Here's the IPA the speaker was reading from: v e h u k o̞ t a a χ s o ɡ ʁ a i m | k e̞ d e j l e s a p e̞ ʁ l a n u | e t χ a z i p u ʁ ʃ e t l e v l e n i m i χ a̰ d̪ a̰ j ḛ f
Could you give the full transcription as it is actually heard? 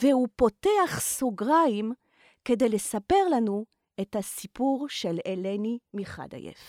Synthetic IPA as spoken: v e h u p o̞ t e a χ s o ɡ ʁ a i m | k e̞ d e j l e s a p e̞ ʁ l a n u | e t h a s i p u ʁ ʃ e l e l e n i m i χ a̰ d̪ a̰ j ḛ f